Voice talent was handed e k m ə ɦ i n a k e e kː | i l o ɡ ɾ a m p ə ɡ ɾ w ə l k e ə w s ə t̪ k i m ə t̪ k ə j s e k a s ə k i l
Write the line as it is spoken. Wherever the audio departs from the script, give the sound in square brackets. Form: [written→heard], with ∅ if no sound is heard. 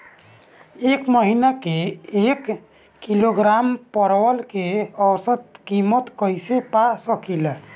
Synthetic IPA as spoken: e k m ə ɦ i n a k e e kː | i l o ɡ ɾ a m p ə [ɡ→∅] ɾ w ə l k e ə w s ə t̪ k i m ə t̪ k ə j s e [k→p] a s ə k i l